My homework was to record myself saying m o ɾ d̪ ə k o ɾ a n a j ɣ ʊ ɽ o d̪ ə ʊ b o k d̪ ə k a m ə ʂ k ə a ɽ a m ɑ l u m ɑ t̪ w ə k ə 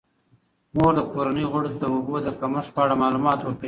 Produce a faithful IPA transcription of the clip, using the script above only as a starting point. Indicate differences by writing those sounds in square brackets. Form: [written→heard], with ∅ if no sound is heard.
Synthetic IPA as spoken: m o ɾ d̪ ə k o ɾ a n [a→ə] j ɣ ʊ ɽ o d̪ ə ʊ b o [k→∅] d̪ ə k a m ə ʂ [k→p] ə a ɽ a m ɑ l u m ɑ t̪ w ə k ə